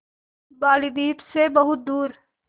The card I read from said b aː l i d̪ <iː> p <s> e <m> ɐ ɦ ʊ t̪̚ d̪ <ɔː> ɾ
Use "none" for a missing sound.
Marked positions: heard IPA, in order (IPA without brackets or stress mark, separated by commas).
iː, s, b, uː